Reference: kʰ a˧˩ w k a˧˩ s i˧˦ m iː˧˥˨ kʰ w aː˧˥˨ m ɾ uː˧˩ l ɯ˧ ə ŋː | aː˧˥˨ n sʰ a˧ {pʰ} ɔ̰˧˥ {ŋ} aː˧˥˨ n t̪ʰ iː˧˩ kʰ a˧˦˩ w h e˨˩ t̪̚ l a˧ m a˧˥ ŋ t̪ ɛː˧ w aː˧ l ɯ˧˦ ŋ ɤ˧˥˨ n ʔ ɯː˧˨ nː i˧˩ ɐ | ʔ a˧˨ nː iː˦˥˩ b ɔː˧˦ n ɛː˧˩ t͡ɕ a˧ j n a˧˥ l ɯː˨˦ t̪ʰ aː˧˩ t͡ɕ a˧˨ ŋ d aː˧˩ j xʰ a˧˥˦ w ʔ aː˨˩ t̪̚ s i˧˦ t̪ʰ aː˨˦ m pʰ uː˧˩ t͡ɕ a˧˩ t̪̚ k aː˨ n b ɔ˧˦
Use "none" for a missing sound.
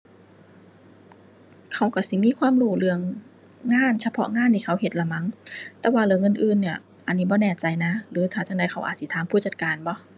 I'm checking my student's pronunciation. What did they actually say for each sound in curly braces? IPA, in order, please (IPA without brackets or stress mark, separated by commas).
pʰ, ŋ